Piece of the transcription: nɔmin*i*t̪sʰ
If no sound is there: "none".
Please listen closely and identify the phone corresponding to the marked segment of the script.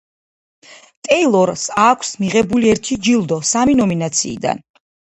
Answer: a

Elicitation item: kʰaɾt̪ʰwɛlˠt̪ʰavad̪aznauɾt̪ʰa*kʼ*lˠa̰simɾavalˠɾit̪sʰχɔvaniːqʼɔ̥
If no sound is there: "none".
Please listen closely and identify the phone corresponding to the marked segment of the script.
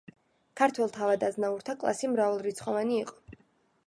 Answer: kʼ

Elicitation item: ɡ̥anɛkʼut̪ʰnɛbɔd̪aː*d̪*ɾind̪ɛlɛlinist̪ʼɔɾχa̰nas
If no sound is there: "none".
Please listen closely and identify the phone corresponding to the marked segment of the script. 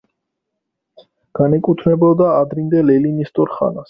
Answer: d̪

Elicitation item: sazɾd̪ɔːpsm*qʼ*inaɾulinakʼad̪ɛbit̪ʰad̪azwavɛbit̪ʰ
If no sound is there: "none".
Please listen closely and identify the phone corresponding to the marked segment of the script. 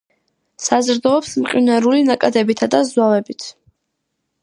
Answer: qʼ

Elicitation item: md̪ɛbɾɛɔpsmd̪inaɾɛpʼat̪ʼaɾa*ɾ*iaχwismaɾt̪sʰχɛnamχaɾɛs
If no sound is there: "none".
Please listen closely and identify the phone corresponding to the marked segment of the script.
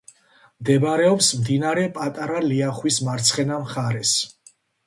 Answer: l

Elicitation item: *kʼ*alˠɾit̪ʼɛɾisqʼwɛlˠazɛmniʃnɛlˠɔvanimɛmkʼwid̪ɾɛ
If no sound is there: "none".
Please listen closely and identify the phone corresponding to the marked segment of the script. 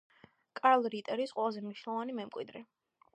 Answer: kʼ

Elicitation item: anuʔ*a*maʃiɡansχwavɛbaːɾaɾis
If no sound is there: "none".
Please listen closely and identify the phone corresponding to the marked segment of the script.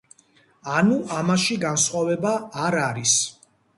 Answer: a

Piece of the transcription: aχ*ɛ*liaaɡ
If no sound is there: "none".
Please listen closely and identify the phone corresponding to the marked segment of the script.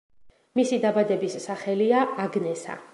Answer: ɛ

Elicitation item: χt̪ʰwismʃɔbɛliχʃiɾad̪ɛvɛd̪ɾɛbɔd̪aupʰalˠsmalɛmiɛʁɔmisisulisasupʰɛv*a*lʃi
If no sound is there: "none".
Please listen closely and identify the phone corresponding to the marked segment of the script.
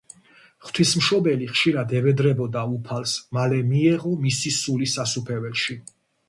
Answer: ɛ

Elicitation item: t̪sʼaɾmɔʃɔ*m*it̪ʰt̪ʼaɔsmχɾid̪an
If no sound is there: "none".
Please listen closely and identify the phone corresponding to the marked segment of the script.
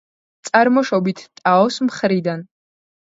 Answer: b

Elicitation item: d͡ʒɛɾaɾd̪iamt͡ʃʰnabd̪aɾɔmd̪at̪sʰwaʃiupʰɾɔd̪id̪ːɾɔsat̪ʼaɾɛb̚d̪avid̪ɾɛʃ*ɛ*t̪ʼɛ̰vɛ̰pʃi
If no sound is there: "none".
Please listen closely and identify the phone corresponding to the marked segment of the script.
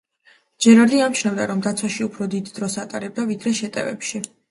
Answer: ɛ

